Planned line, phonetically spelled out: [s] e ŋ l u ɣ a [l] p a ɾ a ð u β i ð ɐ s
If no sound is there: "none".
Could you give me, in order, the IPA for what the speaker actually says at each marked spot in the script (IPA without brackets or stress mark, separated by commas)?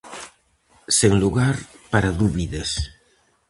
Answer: s, ɾ